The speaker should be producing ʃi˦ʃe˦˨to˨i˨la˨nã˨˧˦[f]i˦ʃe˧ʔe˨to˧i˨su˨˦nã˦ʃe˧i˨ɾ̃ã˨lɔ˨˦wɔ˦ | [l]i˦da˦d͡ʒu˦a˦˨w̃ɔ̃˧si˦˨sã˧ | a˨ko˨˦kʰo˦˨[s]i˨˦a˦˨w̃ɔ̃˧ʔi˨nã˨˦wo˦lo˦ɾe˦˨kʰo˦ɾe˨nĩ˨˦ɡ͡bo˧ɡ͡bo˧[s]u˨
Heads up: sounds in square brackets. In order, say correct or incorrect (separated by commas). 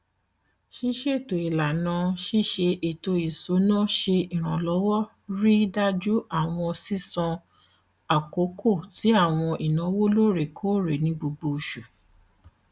incorrect, incorrect, incorrect, incorrect